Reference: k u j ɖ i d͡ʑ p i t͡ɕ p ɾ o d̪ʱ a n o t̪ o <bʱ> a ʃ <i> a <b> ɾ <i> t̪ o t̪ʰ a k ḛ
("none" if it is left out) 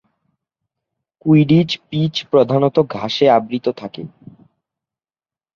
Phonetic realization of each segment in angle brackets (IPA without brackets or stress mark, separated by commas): ɡʱ, e, b, i